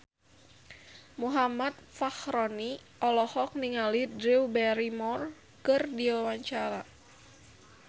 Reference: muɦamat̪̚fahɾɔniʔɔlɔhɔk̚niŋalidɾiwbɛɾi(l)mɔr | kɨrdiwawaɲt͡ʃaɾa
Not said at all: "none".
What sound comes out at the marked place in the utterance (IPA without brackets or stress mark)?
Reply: none